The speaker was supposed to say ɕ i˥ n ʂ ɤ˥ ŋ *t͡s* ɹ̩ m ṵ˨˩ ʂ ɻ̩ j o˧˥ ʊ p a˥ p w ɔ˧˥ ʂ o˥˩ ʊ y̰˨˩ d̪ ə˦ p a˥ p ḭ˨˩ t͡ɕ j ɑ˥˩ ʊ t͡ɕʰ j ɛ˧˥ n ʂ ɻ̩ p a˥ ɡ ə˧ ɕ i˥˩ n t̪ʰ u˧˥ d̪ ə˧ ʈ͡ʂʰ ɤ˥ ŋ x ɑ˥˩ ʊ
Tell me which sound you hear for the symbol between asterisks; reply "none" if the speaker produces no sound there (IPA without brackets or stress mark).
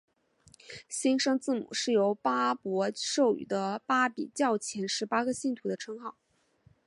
t͡s